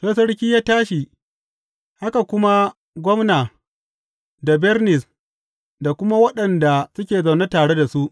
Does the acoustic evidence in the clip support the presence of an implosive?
yes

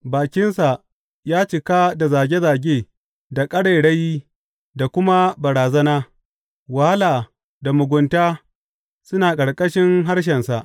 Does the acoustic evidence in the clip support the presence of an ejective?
yes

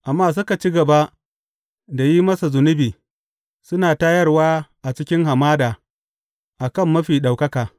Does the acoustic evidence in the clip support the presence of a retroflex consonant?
no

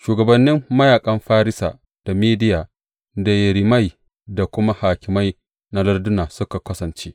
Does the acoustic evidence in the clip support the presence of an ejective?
yes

